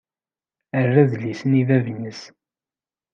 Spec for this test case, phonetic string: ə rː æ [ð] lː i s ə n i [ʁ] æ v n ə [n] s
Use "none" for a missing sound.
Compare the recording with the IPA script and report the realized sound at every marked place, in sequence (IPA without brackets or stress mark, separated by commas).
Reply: ð, v, none